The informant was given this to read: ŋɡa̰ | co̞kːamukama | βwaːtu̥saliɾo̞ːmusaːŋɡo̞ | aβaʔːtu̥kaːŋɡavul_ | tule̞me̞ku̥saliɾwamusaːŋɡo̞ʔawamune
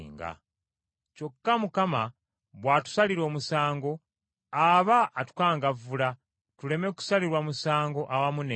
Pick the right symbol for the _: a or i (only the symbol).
a